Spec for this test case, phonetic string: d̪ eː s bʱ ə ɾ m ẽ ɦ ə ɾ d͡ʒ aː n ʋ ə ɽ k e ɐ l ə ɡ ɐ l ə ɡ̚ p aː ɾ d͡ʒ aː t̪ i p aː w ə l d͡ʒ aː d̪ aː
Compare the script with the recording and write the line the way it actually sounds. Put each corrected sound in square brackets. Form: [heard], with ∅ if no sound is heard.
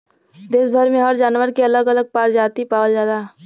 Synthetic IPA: d̪ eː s bʱ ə ɾ m ẽ ɦ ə ɾ d͡ʒ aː n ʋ ə [ɾ] k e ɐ l ə ɡ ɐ l ə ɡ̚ p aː ɾ d͡ʒ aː t̪ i p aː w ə l d͡ʒ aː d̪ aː